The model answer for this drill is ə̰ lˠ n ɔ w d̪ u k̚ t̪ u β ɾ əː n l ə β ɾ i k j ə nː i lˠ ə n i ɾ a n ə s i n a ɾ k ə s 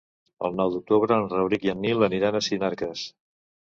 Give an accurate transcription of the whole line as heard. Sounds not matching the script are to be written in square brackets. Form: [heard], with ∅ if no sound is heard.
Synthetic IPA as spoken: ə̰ lˠ n ɔ w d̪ u k̚ t̪ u β ɾ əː n [r] ə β ɾ i k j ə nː i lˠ ə n i ɾ a n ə s i n a ɾ k ə s